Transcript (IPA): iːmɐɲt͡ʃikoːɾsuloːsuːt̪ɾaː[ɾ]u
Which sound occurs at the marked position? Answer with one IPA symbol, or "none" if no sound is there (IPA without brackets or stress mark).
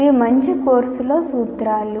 l